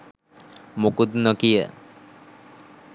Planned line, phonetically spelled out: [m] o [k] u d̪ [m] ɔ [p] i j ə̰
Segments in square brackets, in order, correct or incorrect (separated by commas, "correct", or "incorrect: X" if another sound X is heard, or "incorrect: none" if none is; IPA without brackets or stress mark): correct, correct, incorrect: n, incorrect: k